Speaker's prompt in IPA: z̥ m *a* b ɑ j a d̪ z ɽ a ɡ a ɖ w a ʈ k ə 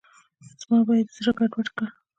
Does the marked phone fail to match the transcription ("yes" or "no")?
yes